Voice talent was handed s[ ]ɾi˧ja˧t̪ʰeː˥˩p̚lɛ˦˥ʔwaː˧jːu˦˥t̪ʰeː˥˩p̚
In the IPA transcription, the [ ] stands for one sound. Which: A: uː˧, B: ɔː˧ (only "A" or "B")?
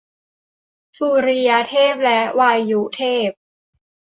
A